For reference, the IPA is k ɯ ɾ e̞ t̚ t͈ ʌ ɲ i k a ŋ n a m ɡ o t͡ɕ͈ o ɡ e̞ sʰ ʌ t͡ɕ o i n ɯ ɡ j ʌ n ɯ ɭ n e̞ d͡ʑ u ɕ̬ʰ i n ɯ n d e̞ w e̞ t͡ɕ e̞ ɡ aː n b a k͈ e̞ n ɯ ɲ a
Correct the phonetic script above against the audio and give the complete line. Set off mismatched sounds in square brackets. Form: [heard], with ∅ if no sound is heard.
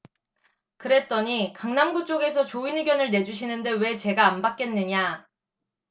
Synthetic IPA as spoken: k ɯ ɾ e̞ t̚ t͈ ʌ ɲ i k a ŋ n a m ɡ [u] t͡ɕ͈ o ɡ e̞ sʰ ʌ t͡ɕ o i n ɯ ɡ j ʌ n ɯ ɭ n e̞ d͡ʑ u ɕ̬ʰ i n ɯ n d e̞ w e̞ t͡ɕ e̞ ɡ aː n b a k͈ e̞ [nː] ɯ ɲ a